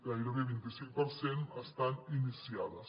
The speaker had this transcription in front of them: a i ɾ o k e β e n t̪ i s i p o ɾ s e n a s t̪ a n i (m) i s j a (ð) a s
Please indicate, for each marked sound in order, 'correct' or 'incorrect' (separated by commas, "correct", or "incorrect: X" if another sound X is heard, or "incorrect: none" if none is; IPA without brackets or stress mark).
incorrect: n, correct